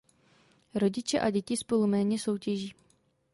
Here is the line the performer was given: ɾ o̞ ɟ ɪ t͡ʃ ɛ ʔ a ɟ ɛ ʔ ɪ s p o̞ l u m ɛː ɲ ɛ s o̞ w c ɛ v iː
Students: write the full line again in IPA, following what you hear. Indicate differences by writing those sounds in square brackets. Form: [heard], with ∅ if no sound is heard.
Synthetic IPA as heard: ɾ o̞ ɟ ɪ t͡ʃ ɛ ʔ a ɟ ɛ [c] ɪ s p o̞ l u m ɛː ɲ ɛ s o̞ w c ɛ [ʒ] iː